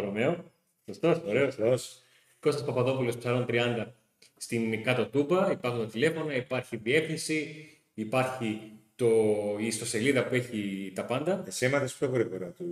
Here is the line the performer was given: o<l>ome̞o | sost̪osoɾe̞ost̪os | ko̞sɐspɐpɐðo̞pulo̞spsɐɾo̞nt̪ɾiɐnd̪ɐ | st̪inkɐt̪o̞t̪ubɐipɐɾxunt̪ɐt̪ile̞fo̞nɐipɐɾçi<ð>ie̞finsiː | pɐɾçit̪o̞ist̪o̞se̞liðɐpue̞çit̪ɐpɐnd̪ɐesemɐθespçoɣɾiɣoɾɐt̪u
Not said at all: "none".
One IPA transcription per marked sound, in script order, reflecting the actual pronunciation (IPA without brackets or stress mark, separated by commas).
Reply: ɾ, ð